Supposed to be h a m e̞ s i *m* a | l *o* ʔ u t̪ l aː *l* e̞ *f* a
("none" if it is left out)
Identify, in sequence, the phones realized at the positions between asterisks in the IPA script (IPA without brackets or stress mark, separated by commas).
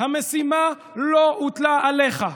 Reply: m, o, l, χ